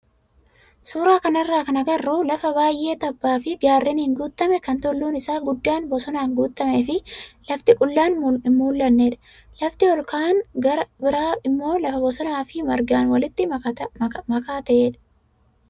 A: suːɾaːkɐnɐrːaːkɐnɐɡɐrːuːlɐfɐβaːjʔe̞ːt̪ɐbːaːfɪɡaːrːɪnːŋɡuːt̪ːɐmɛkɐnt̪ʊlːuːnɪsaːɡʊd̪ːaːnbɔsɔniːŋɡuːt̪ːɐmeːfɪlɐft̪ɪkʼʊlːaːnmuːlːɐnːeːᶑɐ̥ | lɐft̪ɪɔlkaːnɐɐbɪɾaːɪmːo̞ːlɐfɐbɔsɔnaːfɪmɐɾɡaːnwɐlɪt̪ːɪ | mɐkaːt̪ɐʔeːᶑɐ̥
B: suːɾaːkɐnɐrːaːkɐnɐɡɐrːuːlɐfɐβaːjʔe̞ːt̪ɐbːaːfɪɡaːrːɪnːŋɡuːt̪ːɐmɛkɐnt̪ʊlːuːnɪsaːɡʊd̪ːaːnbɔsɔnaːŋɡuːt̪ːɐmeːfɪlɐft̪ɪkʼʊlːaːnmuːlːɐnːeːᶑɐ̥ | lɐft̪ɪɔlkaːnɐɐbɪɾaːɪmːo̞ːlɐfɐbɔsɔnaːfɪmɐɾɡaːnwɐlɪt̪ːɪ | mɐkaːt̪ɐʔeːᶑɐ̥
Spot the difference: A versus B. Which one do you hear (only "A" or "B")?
B